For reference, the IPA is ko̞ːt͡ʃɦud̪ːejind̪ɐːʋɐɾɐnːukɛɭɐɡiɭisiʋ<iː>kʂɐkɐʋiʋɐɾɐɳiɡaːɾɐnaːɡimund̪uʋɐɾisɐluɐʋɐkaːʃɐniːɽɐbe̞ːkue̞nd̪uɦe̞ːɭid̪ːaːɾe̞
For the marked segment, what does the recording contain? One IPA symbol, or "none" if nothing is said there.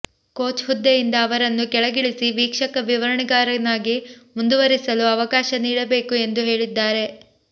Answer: iː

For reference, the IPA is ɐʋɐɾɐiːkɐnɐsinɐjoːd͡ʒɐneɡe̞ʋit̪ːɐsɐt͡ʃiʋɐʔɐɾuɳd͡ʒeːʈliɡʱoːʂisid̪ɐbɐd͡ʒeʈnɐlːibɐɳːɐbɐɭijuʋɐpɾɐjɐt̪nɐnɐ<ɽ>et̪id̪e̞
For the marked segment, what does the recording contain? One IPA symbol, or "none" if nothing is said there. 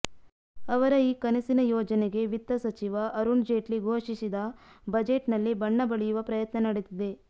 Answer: ɽ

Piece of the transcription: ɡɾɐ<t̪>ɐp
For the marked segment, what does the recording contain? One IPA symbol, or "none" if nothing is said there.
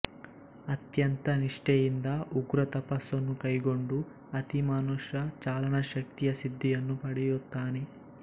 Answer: t̪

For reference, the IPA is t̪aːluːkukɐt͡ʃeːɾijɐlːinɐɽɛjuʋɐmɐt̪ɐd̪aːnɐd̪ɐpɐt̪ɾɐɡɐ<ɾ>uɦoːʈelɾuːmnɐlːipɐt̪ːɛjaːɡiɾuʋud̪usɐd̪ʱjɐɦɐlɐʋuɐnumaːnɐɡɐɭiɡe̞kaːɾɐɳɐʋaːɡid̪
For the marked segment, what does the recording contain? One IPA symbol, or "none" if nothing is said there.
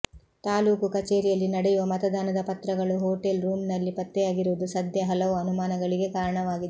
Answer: ɭ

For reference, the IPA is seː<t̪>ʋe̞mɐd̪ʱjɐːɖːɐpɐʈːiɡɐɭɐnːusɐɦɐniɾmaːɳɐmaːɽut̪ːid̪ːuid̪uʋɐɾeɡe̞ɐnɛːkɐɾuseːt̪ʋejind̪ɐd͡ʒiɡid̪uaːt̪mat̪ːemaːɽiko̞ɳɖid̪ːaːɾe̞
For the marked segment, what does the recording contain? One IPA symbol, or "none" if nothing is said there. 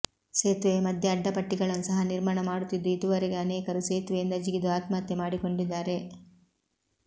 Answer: t̪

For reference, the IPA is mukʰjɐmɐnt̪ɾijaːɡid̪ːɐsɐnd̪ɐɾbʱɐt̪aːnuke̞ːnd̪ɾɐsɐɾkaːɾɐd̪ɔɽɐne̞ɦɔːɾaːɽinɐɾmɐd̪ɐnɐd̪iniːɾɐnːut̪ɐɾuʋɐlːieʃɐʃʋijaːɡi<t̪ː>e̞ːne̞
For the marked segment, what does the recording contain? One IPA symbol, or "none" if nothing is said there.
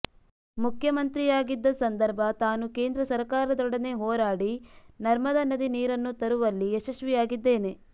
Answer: d̪ː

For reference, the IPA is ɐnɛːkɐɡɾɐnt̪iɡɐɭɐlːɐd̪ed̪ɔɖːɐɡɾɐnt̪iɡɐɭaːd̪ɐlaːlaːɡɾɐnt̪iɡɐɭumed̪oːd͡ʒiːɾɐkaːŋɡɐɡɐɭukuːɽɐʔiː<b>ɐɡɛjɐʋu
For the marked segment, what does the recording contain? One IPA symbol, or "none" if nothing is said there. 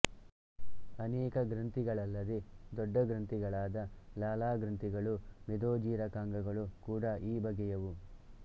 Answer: b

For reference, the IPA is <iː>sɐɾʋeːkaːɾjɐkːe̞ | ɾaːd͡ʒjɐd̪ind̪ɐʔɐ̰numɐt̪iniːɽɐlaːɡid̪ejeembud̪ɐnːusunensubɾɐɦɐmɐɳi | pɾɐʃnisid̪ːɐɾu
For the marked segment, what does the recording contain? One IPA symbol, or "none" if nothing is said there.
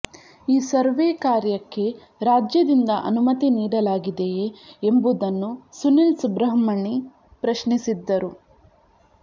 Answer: iː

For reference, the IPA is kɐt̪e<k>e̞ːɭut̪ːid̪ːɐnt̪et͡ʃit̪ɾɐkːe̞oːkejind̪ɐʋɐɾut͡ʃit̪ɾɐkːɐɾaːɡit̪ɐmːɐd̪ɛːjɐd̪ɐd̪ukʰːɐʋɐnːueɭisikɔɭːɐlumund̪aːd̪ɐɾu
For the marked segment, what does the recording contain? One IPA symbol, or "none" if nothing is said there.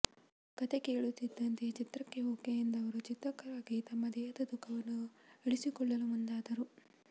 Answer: k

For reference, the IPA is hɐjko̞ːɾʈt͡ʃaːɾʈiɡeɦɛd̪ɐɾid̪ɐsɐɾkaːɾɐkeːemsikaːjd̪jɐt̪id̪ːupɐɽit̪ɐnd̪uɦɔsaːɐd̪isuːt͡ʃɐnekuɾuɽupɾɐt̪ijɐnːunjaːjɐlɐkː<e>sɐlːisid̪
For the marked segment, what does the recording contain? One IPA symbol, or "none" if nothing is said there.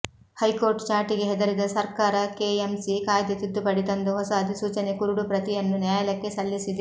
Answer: e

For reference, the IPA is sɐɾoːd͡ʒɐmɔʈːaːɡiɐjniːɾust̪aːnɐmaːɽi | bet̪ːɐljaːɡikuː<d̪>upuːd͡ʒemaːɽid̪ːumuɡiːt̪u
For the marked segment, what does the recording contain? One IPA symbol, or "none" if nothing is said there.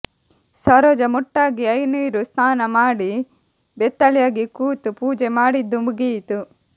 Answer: t̪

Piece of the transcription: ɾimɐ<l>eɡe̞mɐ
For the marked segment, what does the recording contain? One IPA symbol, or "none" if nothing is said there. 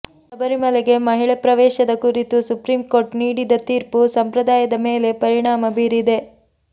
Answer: l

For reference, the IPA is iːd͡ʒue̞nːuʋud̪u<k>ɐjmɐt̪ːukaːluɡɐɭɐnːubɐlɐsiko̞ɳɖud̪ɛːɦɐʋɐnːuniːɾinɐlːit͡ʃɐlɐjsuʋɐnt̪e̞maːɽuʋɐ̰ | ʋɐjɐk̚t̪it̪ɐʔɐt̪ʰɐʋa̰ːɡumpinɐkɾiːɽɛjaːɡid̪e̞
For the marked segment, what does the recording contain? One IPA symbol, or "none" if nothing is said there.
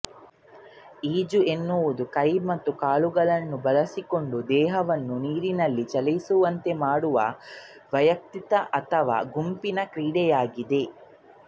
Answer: k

